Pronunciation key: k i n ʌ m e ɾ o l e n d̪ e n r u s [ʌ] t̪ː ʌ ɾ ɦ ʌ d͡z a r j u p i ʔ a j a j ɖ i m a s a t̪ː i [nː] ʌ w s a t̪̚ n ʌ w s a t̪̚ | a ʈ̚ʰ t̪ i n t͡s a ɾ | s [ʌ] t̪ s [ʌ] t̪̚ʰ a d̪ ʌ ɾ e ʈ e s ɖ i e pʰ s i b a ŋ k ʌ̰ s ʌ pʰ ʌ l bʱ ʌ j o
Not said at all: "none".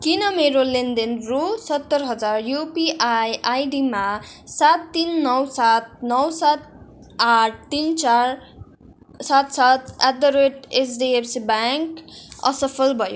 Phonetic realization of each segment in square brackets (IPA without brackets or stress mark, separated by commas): ʌ, nː, a, a